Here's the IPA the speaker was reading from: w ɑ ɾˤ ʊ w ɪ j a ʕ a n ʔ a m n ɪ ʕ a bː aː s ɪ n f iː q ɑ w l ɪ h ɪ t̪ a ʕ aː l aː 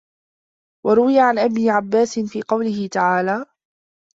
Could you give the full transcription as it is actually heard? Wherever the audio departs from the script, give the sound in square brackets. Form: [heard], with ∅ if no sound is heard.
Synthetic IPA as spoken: w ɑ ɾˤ ʊ w ɪ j a ʕ a n ʔ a [b] n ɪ ʕ a bː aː s ɪ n f iː q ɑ w l ɪ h ɪ t̪ a ʕ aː l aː